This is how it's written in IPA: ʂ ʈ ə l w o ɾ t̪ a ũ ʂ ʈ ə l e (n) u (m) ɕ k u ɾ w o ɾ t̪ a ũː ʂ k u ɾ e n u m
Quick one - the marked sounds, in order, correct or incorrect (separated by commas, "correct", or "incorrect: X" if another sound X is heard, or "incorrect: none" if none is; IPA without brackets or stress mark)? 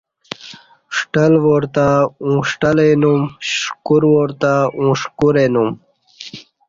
correct, correct